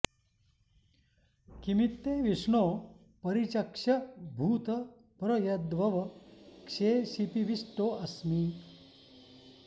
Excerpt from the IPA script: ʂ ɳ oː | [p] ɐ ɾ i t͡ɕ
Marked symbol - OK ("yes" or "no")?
yes